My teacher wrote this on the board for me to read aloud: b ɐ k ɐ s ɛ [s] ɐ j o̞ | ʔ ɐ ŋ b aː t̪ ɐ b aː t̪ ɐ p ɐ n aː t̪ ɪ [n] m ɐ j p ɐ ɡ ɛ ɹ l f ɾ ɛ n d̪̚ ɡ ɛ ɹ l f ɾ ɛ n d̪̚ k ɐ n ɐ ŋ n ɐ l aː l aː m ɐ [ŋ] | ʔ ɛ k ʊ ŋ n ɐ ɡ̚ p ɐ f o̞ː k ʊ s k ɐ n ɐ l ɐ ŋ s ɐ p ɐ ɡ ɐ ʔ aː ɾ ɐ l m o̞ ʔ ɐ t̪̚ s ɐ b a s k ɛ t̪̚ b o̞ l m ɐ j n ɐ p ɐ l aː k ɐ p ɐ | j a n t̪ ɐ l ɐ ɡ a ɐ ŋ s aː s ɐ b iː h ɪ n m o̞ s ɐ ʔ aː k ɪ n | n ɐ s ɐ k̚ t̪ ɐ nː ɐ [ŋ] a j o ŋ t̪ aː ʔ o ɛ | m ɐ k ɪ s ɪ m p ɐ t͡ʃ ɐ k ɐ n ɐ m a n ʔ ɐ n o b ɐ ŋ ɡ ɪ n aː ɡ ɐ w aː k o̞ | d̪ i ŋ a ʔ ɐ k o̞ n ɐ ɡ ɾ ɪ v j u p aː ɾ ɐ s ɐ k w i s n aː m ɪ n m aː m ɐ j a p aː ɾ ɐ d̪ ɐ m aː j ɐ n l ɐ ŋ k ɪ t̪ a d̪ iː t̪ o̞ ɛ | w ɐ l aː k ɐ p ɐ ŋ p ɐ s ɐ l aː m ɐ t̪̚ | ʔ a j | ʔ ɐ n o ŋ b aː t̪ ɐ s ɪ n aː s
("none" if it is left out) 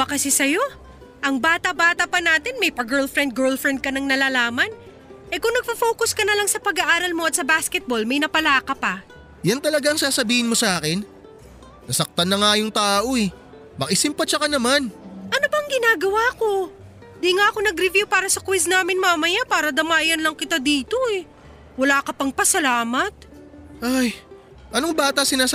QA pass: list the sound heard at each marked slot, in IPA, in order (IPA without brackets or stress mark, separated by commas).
s, n, n, ŋ